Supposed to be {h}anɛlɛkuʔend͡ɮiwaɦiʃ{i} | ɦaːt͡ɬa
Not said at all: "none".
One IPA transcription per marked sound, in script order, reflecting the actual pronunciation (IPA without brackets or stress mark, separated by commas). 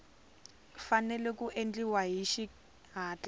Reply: f, i